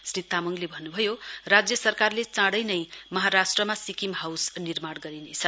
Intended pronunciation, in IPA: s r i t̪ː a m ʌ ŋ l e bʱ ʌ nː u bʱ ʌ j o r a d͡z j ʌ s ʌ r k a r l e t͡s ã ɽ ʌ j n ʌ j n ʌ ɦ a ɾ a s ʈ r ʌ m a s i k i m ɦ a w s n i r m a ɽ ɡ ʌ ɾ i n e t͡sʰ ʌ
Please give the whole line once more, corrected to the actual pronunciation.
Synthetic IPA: s r i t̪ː a m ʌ ŋ l e bʱ ʌ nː u bʱ ʌ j o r a d͡z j ʌ s ʌ r k a r l e t͡s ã ɽ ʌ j n ʌ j m ʌ ɦ a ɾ a s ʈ r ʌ m a s i k i m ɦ a w s n i r m a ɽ ɡ ʌ ɾ i n e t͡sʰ ʌ